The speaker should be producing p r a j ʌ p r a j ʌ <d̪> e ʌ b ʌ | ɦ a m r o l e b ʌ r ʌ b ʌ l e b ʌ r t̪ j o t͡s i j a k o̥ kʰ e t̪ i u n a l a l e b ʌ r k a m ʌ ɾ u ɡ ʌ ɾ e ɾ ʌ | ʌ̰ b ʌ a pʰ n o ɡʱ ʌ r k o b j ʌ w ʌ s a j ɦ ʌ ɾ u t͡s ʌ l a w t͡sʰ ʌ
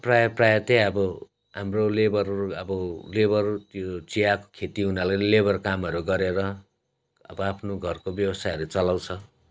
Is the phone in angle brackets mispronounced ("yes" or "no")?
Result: yes